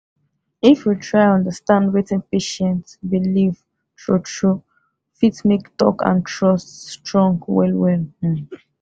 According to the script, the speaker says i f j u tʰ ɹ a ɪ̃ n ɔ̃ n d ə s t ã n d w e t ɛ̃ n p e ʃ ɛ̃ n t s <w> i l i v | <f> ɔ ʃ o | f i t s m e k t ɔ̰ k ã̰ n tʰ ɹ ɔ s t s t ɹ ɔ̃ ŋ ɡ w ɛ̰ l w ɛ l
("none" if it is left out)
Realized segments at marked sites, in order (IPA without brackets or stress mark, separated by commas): b, ʃ